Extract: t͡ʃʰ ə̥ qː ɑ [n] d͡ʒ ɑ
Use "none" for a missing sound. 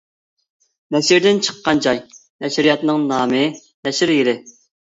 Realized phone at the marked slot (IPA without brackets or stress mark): n